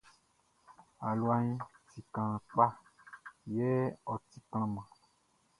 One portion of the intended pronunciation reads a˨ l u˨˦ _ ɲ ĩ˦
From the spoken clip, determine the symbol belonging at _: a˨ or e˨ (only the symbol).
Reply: a˨